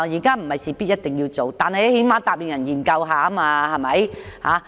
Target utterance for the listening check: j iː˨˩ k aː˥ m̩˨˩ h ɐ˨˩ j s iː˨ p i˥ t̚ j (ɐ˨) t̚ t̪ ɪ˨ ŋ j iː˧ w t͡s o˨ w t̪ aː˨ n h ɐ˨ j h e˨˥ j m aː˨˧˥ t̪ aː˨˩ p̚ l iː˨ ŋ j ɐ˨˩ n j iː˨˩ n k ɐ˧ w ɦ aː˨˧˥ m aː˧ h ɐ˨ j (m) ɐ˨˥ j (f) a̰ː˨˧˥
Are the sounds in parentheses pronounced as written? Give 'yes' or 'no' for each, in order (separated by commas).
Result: no, yes, no